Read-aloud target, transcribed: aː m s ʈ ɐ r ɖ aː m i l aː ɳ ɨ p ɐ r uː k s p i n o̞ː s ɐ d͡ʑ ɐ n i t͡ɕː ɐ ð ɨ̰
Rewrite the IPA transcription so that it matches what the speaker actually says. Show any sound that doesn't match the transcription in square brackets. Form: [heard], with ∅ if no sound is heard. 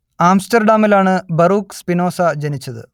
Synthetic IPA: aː m s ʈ ɐ r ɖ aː m i l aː ɳ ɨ [b] ɐ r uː k s p i n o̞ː s ɐ d͡ʑ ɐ n i t͡ɕː ɐ ð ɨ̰